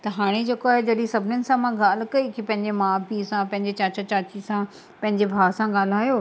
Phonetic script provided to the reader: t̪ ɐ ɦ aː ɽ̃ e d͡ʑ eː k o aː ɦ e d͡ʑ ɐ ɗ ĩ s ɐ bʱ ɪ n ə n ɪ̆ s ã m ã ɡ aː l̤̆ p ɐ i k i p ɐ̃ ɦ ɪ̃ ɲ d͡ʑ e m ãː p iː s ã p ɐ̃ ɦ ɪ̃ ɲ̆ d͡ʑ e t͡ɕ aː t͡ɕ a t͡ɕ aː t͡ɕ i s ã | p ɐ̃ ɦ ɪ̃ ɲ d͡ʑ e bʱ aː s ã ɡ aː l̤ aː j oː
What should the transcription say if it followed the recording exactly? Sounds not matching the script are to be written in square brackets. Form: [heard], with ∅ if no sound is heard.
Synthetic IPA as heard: t̪ ɐ ɦ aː ɽ̃ e d͡ʑ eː k o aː ɦ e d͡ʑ ɐ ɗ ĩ s ɐ bʱ ɪ n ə n ɪ̆ s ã m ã ɡ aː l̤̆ [k] ɐ i k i p ɐ̃ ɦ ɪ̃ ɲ d͡ʑ e m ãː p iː s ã p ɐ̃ ɦ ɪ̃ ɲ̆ d͡ʑ e t͡ɕ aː t͡ɕ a t͡ɕ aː t͡ɕ i s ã | p ɐ̃ ɦ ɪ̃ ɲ d͡ʑ e bʱ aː s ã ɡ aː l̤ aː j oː